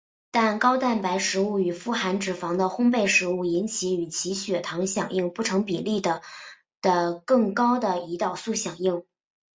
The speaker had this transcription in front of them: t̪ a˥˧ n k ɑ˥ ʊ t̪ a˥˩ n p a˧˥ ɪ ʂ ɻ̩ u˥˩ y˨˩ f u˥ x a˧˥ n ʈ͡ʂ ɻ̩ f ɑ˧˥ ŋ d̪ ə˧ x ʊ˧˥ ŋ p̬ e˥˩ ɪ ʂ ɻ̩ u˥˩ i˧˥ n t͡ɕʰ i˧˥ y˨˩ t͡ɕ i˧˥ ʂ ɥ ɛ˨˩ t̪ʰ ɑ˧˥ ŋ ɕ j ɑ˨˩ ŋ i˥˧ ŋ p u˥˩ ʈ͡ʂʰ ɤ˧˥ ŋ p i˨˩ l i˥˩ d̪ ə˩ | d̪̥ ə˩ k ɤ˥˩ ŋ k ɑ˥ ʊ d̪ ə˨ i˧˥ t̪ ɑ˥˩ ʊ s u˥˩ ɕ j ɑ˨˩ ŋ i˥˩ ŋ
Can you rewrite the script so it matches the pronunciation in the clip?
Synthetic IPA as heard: t̪ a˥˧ n k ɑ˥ ʊ t̪ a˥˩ n p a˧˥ ɪ ʂ ɻ̩ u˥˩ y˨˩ f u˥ x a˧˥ n ʈ͡ʂ ɻ̩ f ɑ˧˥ ŋ d̪ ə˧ x ʊ˥ ŋ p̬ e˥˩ ɪ ʂ ɻ̩ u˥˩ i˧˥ n t͡ɕʰ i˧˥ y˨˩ t͡ɕʰ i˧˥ ɕ ɥ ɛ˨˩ t̪ʰ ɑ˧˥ ŋ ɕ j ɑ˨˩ ŋ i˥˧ ŋ p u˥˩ ʈ͡ʂʰ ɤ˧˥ ŋ p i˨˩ l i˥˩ d̪ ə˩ | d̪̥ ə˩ k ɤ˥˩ ŋ k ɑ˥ ʊ d̪ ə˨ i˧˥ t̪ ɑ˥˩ ʊ s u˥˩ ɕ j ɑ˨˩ ŋ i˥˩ ŋ